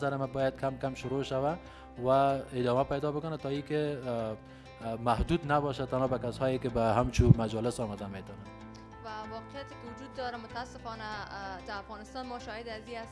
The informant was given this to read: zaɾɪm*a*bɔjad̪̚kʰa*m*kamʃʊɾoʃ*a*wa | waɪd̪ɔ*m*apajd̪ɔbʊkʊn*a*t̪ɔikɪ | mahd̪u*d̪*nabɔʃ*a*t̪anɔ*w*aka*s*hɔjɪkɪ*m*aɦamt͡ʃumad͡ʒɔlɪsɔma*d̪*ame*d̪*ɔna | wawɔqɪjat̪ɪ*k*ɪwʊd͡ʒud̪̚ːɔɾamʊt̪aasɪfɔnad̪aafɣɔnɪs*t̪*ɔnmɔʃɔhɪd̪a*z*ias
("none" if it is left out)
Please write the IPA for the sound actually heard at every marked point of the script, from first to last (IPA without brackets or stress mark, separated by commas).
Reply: a, m, a, m, a, d̪, a, b, s, b, d̪, t̪, k, t̪, z